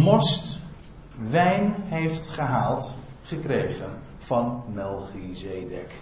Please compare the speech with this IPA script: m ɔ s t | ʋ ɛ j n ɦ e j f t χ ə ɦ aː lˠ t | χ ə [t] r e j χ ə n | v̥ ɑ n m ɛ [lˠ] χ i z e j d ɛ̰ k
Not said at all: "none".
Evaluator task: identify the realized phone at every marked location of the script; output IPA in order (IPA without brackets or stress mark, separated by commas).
k, lˠ